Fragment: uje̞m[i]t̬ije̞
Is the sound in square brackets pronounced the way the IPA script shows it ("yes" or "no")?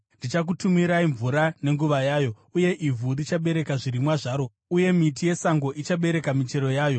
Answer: yes